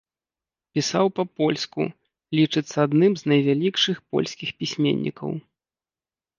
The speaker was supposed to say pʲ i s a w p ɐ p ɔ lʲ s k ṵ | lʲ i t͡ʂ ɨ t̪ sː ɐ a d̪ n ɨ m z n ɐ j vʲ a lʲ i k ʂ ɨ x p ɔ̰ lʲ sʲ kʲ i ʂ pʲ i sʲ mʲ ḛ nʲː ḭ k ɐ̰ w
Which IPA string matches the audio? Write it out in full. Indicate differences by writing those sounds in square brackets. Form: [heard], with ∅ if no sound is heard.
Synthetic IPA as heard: pʲ i s a w p ɐ p ɔ lʲ s k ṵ | lʲ i t͡ʂ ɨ t̪ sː ɐ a d̪ n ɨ m z n ɐ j vʲ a lʲ i k ʂ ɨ x p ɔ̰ lʲ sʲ kʲ i [x] pʲ i sʲ mʲ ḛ nʲː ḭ k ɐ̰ w

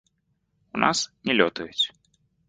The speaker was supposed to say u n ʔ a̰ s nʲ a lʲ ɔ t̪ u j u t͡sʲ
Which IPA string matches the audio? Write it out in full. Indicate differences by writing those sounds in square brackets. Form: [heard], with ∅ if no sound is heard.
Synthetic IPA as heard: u n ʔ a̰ s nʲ [ɛ] lʲ ɔ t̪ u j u t͡sʲ

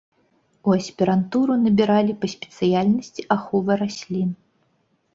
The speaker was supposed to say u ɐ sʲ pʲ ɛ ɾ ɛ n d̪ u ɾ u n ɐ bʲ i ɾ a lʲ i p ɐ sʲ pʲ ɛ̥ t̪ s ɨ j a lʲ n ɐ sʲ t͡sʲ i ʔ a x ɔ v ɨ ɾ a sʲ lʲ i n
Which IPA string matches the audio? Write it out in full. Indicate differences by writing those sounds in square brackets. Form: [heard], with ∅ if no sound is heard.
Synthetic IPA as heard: u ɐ sʲ pʲ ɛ ɾ [a] n [t̪] u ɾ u n ɐ bʲ i ɾ a lʲ i p ɐ sʲ pʲ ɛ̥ t̪ s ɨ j a lʲ n ɐ sʲ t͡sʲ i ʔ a x ɔ v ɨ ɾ a sʲ lʲ i n

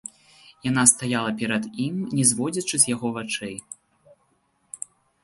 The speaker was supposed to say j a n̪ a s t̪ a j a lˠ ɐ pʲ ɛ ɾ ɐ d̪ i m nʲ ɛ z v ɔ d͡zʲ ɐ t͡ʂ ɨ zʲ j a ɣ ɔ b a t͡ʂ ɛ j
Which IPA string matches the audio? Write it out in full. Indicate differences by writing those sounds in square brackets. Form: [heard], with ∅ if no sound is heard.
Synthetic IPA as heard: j a n̪ a s t̪ a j a lˠ ɐ pʲ ɛ ɾ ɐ d̪ i m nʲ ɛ z v ɔ d͡zʲ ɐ t͡ʂ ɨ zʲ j a ɣ ɔ [v] a t͡ʂ ɛ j

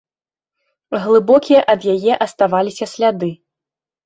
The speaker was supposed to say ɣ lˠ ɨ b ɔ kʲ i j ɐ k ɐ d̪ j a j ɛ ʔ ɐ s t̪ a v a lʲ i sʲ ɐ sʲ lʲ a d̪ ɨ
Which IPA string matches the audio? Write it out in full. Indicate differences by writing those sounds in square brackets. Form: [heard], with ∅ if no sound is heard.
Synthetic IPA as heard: ɣ lˠ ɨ b ɔ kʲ i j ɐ [ʔ] ɐ d̪ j a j ɛ ʔ ɐ s t̪ a v a lʲ i sʲ ɐ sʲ lʲ a d̪ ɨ

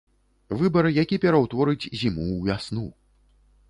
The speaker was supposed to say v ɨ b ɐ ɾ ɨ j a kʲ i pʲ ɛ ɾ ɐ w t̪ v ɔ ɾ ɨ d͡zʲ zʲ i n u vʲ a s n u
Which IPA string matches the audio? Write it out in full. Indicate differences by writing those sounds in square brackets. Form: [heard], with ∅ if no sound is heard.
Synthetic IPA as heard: v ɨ b ɐ ɾ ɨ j a kʲ i pʲ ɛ ɾ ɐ w t̪ v ɔ ɾ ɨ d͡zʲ zʲ i [m] u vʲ a s n u

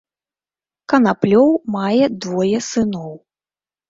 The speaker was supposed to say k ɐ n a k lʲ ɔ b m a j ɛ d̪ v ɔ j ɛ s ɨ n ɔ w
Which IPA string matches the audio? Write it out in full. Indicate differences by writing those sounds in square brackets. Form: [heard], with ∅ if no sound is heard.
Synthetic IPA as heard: k ɐ n a [p] lʲ ɔ [w] m a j ɛ d̪ v ɔ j ɛ s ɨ n ɔ w

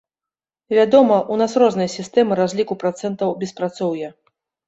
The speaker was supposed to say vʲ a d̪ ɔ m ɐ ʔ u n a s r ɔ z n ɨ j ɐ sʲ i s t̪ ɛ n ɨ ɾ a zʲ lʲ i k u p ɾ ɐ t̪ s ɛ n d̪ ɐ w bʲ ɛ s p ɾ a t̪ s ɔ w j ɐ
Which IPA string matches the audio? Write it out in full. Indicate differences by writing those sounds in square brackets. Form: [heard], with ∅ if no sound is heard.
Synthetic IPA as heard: vʲ a d̪ ɔ m ɐ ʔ u n a s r ɔ z n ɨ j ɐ sʲ i s t̪ ɛ [m] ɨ ɾ a zʲ lʲ i k u p ɾ [a] t̪ s ɛ n [t̪] ɐ w bʲ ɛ s p ɾ a t̪ s ɔ w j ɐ

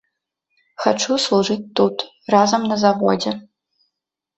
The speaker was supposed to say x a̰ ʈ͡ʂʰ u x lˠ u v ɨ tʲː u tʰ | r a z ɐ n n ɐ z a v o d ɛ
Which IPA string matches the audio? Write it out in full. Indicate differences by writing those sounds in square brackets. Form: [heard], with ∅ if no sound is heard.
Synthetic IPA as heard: x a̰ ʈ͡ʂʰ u [s] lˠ u [ʐ] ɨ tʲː u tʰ | r a z ɐ [m] n ɐ z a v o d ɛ

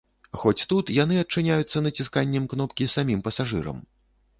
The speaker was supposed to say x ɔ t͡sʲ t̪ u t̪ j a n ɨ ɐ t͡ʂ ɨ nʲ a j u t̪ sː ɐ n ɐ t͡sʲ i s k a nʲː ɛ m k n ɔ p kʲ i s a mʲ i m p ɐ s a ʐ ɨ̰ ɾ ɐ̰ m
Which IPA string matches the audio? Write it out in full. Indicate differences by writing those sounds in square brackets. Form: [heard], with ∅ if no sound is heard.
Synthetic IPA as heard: x ɔ t͡sʲ t̪ u t̪ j a n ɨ ɐ t͡ʂ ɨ nʲ a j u t̪ sː ɐ n ɐ t͡sʲ i s k a nʲː ɛ m k n ɔ p kʲ i s a mʲ i m p ɐ s a ʐ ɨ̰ ɾ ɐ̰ m

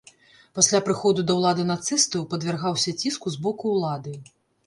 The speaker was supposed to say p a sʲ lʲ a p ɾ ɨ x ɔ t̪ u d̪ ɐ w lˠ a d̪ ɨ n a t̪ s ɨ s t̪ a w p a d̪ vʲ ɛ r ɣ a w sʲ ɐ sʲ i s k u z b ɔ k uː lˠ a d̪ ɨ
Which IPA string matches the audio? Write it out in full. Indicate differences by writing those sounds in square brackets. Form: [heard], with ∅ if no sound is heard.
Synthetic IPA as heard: p a sʲ lʲ a p ɾ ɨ x ɔ [d̪] u d̪ ɐ w lˠ a d̪ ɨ n a t̪ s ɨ s t̪ [ɐ] w p [ɐ] d̪ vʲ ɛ r ɣ a w sʲ ɐ [t͡sʲ] i s k u z b ɔ k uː lˠ a d̪ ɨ

